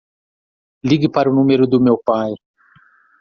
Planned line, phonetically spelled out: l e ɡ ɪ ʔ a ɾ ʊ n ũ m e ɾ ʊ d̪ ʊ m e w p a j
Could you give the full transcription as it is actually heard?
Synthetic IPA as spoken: l i ɡ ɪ p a ɾ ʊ n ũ m e ɾ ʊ d̪ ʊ m e w p a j